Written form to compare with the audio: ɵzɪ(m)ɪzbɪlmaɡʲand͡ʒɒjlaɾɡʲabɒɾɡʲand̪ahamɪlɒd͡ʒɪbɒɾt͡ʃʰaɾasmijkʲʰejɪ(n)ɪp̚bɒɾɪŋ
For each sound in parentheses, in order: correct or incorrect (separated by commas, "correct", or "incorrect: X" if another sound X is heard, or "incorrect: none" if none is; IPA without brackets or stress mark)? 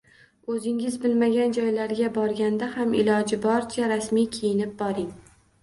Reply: incorrect: ŋ, correct